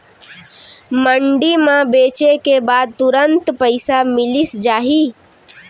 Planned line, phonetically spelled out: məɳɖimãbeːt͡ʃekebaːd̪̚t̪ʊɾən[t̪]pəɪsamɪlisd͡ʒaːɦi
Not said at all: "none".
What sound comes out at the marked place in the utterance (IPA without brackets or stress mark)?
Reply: t̪